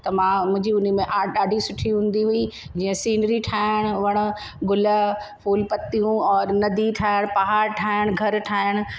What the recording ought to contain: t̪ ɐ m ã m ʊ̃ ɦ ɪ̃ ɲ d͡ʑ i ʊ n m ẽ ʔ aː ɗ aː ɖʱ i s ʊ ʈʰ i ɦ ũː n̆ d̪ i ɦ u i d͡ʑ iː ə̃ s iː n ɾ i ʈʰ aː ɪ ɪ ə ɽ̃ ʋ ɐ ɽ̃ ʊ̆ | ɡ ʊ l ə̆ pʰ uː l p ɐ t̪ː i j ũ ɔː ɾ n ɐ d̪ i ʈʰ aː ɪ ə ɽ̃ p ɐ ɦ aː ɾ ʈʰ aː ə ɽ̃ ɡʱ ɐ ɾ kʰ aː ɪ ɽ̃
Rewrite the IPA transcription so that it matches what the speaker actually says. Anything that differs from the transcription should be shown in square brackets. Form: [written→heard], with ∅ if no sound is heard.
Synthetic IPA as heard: t̪ ɐ m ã m ʊ̃ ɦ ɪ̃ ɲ d͡ʑ i ʊ n m ẽ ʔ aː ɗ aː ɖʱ i s ʊ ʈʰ i ɦ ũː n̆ d̪ i ɦ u i d͡ʑ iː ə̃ s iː n ɾ i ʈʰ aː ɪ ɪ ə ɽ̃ ʋ ɐ ɽ̃ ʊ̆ | ɡ ʊ l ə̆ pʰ uː l p ɐ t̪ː i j ũ ɔː ɾ n ɐ d̪ i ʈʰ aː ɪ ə ɽ̃ p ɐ ɦ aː ɾ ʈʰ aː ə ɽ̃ ɡʱ ɐ ɾ [kʰ→ʈʰ] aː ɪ ɽ̃

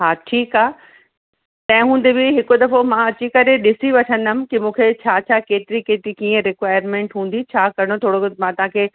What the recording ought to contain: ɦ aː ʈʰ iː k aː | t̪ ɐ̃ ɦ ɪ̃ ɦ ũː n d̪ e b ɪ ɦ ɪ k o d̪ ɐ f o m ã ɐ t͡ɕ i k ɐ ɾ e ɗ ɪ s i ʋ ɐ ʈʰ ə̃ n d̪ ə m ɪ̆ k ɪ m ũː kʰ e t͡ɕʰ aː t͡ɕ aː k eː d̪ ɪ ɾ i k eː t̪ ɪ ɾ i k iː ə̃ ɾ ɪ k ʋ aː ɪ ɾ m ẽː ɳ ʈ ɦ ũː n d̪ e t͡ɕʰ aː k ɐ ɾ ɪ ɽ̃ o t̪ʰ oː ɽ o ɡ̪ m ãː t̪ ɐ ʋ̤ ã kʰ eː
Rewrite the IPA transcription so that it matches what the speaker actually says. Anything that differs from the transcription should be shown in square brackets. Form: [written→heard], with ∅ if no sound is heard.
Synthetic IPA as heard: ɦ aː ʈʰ iː k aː | t̪ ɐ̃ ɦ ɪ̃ ɦ ũː n d̪ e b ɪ ɦ ɪ k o d̪ ɐ f o m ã ɐ t͡ɕ i k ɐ ɾ e ɗ ɪ s i ʋ ɐ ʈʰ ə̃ n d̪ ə m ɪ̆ k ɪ m ũː kʰ e t͡ɕʰ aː [t͡ɕ→t͡ɕʰ] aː k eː [d̪→t̪] ɪ ɾ i k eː t̪ ɪ ɾ i k iː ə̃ ɾ ɪ k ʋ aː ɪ ɾ m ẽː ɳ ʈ ɦ ũː n d̪ [e→i] t͡ɕʰ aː k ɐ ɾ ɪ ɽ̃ o t̪ʰ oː ɽ o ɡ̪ m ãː t̪ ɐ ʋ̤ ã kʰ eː

